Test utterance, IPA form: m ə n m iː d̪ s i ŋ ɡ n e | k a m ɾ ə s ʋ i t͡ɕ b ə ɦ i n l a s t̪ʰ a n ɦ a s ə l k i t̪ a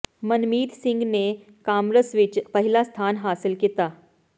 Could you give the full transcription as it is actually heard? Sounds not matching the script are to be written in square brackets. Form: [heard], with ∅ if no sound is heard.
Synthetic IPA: m ə n m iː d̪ s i ŋ ɡ n e | k a m ɾ ə s ʋ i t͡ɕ [p] ə ɦ i [∅] l a s t̪ʰ a n ɦ a s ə l k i t̪ a